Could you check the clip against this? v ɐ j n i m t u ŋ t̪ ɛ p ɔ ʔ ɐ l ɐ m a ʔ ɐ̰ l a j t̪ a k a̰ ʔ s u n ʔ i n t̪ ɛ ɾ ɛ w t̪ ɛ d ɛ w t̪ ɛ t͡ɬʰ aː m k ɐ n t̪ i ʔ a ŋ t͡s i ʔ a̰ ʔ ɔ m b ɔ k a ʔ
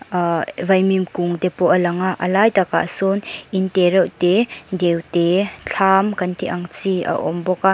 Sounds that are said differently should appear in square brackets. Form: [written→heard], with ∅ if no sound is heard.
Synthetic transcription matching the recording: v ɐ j [n→m] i m [t→k] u ŋ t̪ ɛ p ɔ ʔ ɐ l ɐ [m→ŋ] a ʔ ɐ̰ l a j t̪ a k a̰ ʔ s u n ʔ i n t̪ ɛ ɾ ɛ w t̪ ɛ d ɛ w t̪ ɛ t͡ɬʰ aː m k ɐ n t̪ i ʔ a ŋ t͡s i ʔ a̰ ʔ ɔ m b ɔ k a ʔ